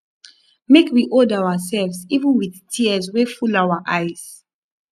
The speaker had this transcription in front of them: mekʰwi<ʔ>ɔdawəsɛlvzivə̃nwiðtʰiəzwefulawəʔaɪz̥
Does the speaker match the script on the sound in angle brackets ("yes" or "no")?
yes